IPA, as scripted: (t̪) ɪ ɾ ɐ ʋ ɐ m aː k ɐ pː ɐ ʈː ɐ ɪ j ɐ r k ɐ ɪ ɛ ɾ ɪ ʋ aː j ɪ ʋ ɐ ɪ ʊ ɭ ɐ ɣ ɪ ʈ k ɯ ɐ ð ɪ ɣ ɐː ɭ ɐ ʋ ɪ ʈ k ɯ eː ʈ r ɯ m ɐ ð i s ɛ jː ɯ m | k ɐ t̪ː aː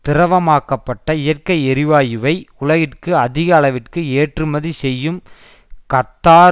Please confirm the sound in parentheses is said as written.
yes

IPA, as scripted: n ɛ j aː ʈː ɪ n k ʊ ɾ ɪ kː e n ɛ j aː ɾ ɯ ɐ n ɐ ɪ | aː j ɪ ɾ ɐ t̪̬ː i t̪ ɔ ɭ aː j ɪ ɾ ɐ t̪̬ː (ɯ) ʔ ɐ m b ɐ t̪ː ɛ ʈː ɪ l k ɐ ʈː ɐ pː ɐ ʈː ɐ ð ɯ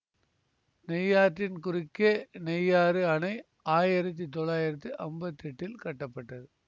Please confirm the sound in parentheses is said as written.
yes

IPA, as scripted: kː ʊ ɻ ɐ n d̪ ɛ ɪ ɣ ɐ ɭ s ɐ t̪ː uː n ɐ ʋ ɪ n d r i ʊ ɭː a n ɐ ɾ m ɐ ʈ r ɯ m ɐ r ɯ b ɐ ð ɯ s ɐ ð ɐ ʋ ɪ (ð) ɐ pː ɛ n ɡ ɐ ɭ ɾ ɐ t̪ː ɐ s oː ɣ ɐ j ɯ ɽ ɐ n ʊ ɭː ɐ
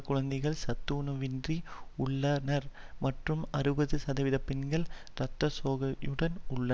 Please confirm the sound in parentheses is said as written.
yes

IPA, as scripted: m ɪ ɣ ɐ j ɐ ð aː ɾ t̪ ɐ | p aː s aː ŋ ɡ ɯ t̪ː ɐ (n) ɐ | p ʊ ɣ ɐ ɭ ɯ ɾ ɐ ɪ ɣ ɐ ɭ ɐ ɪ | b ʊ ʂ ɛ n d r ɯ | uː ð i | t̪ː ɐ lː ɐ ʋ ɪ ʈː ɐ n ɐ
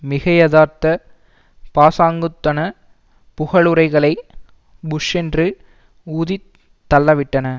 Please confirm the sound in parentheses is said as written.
yes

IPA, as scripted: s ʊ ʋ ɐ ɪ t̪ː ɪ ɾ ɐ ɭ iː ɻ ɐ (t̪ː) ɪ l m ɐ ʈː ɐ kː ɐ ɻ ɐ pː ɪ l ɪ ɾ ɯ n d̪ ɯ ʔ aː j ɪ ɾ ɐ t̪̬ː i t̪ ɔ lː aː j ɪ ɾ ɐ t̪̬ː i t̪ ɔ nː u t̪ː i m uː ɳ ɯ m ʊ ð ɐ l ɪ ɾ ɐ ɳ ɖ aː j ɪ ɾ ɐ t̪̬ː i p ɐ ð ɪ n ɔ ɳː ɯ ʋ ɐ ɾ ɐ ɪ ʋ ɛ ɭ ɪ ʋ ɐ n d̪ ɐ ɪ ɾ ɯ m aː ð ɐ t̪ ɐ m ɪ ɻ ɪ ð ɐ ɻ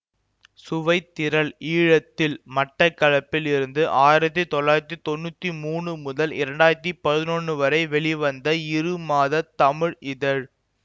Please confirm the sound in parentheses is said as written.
yes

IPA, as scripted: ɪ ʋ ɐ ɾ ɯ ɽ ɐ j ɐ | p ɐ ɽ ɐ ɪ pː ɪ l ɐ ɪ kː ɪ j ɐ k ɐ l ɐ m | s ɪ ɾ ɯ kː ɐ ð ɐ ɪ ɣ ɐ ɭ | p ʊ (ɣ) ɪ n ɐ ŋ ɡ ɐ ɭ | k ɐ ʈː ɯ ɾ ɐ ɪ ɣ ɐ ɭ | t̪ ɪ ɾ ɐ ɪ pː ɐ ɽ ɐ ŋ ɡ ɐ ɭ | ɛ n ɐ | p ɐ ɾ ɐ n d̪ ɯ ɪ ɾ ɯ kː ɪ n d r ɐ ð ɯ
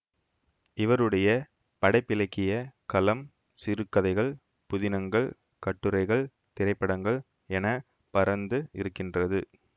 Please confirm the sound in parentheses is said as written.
no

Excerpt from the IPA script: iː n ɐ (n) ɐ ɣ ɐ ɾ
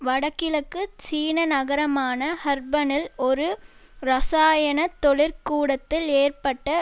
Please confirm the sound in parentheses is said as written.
yes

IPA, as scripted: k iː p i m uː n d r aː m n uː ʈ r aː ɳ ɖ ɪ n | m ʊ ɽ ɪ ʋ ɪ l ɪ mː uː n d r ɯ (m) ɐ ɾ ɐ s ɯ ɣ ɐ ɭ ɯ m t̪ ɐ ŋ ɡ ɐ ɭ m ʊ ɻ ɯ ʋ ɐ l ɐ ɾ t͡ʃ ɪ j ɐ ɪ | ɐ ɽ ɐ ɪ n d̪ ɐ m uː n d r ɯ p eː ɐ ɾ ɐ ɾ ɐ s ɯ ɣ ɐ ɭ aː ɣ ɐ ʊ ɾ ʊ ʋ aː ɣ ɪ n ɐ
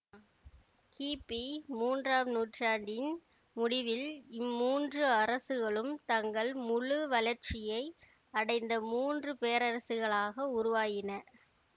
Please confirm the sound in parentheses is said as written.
no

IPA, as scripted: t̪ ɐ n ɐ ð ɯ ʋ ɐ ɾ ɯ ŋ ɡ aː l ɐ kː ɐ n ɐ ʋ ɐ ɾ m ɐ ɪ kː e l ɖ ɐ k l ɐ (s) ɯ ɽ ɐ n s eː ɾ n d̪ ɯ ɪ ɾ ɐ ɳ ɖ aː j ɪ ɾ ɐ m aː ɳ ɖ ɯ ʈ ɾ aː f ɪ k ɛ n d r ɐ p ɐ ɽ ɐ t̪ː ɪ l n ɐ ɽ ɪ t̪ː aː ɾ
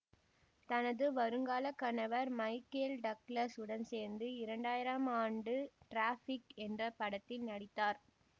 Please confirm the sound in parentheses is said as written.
yes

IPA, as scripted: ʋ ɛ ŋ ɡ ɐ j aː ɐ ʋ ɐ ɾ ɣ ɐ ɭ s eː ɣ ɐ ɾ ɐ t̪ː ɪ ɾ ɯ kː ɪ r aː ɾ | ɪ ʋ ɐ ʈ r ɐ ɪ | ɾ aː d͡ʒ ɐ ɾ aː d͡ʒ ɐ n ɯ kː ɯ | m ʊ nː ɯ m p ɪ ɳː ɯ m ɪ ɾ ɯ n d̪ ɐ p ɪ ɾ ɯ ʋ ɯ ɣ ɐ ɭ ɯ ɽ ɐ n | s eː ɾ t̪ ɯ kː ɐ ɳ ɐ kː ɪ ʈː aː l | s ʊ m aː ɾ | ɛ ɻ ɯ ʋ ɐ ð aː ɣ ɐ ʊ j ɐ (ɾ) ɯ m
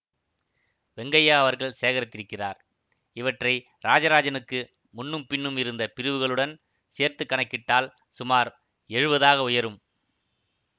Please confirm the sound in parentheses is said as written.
yes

